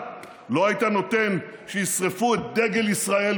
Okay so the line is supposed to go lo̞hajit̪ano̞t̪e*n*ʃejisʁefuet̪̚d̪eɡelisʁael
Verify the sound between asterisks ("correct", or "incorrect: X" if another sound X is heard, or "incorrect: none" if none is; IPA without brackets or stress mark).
correct